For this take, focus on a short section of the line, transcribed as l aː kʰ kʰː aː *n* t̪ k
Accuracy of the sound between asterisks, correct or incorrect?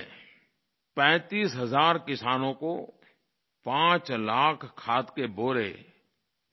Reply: incorrect